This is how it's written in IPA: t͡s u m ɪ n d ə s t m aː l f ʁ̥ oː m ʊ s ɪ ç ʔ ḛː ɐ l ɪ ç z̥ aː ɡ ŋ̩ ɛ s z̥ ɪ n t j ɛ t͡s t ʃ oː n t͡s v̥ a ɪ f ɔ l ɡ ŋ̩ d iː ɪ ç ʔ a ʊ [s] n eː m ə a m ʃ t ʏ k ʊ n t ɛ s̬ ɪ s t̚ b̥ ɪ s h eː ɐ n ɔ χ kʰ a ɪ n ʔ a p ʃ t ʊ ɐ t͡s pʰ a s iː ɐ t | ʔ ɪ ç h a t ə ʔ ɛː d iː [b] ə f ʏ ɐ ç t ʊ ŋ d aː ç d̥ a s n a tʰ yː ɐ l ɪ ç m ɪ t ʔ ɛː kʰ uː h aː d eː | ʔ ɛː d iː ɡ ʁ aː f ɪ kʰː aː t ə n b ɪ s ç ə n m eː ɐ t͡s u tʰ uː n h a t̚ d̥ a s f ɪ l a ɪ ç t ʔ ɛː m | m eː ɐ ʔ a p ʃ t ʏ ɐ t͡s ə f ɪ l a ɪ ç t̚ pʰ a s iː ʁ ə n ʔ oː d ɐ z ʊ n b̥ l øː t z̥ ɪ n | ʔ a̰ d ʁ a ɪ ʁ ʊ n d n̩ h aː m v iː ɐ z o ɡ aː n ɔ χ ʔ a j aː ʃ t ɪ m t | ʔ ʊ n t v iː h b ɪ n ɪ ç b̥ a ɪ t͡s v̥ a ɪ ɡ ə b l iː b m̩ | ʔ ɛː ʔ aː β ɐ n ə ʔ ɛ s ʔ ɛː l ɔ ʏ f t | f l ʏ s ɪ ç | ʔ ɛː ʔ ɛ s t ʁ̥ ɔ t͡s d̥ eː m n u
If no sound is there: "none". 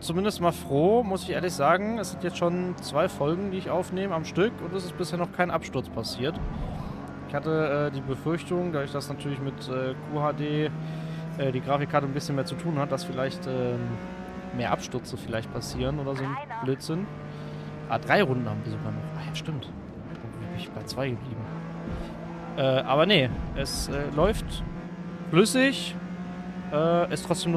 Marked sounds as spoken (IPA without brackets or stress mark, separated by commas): f, b